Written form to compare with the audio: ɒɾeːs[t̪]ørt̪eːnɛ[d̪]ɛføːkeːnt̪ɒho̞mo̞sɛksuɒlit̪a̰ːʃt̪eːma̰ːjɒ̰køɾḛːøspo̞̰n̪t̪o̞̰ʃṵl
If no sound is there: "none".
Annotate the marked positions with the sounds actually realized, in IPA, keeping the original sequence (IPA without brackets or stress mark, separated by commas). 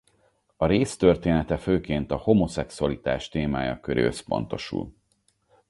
t̪, t̪